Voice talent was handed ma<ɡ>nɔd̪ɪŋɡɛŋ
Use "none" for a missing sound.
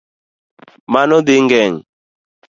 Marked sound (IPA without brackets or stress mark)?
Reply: none